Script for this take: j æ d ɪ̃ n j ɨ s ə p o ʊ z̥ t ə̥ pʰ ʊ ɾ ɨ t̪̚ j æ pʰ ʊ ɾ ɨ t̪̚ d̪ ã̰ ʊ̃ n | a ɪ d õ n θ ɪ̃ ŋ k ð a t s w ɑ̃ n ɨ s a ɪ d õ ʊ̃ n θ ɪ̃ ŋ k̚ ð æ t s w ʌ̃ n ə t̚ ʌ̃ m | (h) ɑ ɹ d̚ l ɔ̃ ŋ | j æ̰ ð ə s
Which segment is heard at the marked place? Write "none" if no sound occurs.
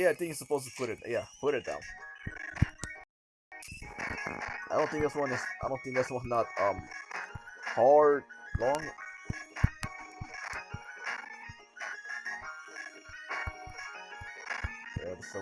h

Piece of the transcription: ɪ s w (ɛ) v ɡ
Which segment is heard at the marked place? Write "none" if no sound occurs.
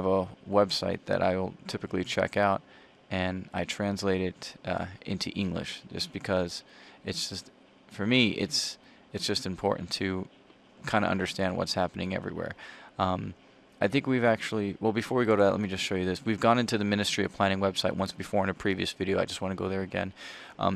i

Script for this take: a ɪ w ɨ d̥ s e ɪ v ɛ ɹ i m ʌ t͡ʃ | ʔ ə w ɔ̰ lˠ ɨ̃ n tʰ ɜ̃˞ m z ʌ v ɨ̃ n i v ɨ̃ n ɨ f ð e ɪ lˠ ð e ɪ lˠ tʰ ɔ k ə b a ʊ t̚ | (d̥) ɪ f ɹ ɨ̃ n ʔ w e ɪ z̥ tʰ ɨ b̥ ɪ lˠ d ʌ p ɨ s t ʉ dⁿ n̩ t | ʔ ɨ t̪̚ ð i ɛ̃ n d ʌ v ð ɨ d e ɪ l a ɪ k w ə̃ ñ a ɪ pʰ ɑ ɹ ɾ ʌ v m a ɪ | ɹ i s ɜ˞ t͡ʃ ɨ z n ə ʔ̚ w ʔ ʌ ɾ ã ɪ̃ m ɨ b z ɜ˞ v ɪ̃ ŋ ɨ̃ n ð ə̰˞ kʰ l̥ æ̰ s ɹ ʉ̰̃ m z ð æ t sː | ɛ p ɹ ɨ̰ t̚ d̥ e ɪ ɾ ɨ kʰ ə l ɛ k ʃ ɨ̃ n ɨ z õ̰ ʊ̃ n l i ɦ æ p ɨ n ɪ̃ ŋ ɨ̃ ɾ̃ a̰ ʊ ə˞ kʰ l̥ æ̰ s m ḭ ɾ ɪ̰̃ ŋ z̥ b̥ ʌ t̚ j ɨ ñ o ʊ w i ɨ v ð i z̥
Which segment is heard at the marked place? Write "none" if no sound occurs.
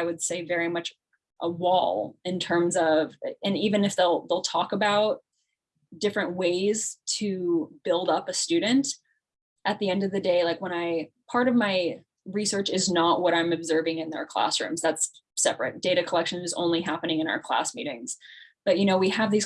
d̥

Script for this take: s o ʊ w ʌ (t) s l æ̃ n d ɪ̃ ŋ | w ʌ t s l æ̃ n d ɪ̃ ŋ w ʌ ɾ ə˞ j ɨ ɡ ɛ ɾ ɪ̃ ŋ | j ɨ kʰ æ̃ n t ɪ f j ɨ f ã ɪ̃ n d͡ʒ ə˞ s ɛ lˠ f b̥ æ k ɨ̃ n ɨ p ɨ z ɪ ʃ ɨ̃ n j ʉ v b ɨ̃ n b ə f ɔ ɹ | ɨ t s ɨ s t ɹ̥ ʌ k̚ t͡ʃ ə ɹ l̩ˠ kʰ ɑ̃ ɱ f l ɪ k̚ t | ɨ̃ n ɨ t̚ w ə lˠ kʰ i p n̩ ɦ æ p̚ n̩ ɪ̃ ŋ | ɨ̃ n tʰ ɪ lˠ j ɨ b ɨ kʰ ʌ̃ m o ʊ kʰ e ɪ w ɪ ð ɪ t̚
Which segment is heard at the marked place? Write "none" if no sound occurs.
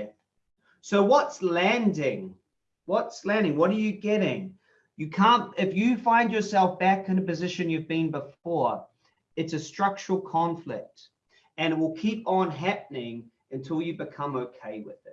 t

